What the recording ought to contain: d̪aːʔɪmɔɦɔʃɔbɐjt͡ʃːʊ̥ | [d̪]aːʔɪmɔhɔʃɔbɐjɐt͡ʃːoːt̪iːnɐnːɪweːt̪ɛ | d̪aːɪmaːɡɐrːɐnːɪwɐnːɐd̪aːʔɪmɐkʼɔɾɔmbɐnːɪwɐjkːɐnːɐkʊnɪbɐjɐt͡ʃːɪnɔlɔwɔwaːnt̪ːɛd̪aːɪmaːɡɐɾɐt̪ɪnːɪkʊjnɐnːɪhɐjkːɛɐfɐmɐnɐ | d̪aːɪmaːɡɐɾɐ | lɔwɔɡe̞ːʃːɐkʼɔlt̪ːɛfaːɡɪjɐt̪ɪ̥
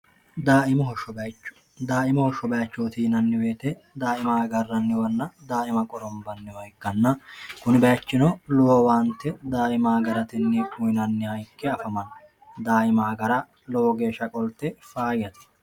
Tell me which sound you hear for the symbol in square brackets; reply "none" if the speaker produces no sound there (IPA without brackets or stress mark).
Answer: d̪